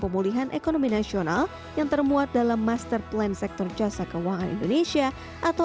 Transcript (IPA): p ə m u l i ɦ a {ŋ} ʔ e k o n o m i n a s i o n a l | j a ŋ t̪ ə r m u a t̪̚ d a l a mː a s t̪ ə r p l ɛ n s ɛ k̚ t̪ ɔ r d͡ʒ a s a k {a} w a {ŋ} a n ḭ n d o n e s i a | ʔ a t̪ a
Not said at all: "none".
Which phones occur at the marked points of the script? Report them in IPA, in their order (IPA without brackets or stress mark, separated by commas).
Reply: n, ə, ŋ